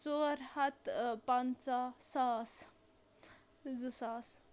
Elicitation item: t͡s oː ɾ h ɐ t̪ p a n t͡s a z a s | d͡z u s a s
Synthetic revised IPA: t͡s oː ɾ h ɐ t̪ p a n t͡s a s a s | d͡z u s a s